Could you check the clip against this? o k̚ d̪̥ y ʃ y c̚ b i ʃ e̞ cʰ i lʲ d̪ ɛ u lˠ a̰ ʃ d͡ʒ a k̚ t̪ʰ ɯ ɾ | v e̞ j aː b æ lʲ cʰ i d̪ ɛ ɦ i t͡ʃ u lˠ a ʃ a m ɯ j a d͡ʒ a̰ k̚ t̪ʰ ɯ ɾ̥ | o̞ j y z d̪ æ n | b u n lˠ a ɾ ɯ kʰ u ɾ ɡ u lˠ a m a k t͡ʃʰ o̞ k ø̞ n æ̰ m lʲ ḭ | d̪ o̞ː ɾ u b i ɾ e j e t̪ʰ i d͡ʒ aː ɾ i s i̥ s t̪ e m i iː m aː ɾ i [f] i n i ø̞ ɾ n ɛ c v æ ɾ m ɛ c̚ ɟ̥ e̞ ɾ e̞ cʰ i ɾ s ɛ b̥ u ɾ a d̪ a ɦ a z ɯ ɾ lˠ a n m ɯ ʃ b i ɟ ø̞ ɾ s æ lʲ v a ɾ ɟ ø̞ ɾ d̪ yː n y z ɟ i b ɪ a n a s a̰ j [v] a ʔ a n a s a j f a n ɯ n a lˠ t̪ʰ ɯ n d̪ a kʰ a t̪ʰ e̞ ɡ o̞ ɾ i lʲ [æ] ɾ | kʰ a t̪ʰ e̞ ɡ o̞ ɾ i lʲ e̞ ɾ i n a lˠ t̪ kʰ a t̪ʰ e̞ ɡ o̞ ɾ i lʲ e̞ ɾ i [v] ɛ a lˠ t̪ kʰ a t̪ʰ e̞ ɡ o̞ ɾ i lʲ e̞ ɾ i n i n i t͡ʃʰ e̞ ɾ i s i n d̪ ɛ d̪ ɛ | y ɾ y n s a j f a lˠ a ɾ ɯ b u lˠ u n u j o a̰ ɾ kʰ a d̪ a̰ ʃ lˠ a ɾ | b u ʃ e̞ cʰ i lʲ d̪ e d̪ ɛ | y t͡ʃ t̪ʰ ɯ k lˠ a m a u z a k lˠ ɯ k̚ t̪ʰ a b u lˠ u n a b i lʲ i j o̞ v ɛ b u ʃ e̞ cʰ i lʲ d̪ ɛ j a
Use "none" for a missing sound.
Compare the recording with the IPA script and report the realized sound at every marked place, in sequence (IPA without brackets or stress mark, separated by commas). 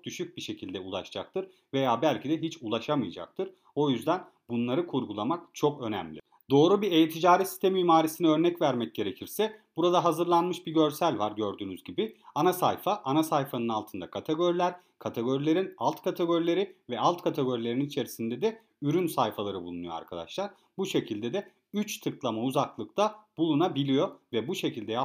s, f, æ, v